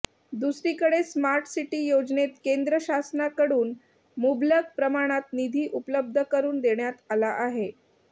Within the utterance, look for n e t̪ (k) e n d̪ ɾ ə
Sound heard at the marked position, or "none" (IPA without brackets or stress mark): k